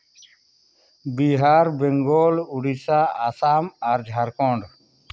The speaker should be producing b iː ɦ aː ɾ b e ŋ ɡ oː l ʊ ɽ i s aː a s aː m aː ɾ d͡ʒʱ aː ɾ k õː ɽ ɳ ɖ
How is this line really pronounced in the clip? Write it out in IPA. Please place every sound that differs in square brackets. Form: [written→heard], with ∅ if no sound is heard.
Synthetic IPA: b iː ɦ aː ɾ b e ŋ ɡ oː l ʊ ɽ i s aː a s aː m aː ɾ d͡ʒʱ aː ɾ k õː [ɽ→∅] ɳ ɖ